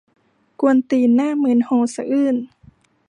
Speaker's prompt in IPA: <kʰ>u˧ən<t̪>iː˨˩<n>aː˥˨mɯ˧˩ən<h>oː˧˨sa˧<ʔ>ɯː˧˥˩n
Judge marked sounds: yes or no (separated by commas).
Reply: no, yes, yes, yes, yes